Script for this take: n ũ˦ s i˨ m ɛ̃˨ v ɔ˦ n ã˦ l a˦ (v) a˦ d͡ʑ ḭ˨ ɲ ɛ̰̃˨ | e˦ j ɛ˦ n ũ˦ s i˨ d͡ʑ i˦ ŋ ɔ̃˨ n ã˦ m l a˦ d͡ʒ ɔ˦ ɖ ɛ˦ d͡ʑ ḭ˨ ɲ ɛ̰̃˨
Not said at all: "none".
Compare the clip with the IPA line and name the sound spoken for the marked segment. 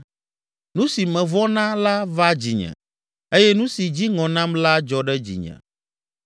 v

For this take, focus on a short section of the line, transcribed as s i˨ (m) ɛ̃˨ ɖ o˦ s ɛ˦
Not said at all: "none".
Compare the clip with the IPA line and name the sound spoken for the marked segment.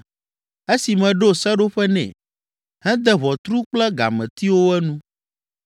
m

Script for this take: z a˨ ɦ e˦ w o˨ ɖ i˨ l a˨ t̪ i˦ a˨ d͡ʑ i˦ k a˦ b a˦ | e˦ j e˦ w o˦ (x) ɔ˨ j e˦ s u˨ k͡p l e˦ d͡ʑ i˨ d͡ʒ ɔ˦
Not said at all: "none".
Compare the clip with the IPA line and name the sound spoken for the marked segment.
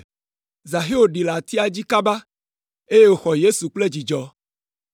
x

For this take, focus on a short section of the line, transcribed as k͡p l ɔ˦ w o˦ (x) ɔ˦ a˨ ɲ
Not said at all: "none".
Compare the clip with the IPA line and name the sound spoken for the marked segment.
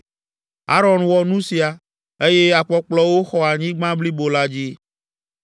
x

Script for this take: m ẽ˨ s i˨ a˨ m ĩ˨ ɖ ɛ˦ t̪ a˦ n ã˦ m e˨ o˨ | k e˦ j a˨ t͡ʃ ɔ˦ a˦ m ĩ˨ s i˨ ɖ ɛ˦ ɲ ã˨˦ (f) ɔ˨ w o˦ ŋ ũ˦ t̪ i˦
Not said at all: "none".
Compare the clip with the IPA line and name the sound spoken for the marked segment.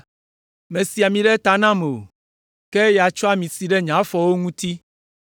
f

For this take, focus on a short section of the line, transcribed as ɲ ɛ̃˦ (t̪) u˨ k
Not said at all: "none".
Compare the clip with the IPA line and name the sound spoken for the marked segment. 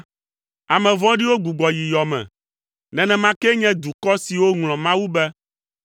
d̪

